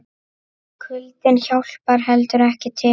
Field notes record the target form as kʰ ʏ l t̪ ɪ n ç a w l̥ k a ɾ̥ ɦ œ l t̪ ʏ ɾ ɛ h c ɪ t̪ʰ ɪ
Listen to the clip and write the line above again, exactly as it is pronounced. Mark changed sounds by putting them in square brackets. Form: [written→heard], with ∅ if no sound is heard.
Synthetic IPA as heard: kʰ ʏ l t̪ ɪ n ç a w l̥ [k→p] a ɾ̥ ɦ [œ→ɛ] l t̪ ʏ ɾ ɛ h c ɪ t̪ʰ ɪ